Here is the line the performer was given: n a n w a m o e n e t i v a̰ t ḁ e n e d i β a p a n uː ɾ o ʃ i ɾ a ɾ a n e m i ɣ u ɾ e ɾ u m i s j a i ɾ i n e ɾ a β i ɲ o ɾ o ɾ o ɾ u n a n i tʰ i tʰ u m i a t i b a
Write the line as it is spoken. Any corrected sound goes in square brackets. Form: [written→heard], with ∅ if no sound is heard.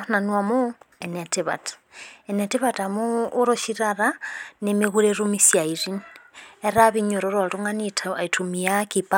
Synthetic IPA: n a n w a m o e n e t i [v→β] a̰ t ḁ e n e [d→t] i β a [p→t] a [n→m] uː ɾ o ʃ i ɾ a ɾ a n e m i ɣ u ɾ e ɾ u m i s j a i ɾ i n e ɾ a β i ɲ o ɾ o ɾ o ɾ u [n→ŋ] a n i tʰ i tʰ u m i a [t→k] i [b→p] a